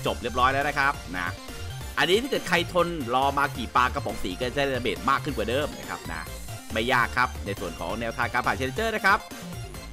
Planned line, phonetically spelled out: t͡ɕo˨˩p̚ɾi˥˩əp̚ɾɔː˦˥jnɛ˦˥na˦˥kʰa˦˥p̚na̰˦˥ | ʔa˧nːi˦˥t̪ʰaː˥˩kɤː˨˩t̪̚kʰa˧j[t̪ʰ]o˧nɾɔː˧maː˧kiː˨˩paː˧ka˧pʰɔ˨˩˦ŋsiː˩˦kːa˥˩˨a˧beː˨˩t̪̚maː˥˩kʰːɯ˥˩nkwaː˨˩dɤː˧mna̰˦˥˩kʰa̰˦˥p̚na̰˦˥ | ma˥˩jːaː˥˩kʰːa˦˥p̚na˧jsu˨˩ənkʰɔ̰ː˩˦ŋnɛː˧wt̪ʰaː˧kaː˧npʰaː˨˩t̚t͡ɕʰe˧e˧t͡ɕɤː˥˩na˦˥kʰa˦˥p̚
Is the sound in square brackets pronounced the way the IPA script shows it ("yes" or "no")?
yes